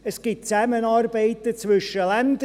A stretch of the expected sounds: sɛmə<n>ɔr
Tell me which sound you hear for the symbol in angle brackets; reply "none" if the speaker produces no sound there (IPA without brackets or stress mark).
n